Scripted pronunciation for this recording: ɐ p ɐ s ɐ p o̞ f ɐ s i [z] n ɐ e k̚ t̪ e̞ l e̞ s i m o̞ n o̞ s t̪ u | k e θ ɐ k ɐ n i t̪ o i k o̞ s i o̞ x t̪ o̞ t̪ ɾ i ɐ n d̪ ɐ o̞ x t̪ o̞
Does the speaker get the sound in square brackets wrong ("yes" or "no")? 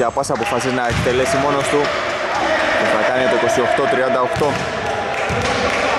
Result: no